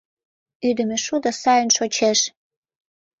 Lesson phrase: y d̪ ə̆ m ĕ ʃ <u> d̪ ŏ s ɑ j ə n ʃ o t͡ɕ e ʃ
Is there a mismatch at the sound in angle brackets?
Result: no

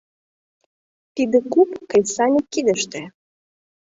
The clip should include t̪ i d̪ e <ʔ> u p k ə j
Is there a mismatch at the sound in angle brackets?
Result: yes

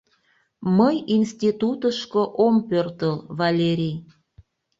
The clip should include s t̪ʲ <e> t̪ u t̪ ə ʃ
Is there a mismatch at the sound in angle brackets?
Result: yes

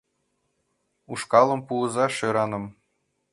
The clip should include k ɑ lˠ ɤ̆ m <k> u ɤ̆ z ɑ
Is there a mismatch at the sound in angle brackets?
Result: yes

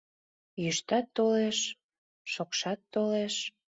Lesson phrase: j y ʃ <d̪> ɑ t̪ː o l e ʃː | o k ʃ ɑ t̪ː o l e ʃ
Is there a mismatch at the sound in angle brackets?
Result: yes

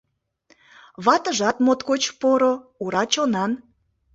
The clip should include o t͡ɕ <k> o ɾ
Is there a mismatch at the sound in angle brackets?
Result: yes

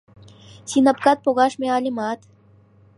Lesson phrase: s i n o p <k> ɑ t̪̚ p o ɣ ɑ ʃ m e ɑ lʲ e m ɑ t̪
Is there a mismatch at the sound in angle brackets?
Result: no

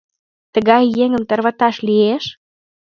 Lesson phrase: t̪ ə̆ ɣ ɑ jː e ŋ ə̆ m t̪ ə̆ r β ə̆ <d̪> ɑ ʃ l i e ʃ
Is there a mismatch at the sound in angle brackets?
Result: yes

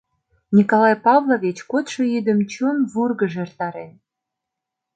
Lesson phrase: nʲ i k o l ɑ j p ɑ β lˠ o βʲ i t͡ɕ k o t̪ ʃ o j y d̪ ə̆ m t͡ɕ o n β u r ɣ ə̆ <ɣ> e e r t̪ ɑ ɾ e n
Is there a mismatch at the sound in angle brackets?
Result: yes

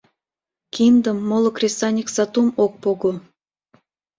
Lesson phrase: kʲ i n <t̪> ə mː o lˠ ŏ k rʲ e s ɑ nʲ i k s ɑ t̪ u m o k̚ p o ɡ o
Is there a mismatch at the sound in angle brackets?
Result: yes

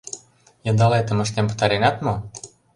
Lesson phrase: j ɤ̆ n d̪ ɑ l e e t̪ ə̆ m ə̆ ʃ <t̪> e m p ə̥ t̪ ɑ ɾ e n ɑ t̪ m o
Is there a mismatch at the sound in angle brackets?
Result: no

